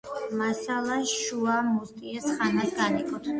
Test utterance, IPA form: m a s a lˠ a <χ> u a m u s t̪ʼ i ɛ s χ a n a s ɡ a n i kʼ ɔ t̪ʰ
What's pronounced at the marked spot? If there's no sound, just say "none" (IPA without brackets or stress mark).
ʃ